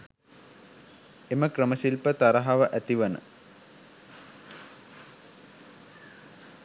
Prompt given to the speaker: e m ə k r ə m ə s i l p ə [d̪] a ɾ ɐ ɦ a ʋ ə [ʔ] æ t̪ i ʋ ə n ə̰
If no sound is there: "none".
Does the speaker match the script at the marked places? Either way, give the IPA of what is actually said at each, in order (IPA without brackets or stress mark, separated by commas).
t̪, ʔ